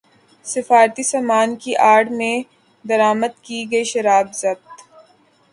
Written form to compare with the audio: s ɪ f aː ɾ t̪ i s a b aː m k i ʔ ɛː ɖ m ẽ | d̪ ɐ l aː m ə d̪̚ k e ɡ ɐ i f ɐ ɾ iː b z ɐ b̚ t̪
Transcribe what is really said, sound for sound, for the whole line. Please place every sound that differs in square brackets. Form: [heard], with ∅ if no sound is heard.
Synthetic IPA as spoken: s ɪ f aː ɾ t̪ i s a [m] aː [n] k i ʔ [aː] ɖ m ẽ | d̪ ɐ [ɾ] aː m ə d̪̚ k [i] ɡ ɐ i [ʃ] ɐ ɾ [aː] b z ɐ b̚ t̪